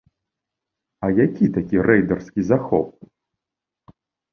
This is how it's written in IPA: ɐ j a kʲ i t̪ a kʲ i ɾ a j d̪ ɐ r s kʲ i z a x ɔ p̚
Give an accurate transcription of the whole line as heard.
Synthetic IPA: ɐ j a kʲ i t̪ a kʲ i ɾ ɛ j d̪ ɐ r s kʲ i z a x ɔ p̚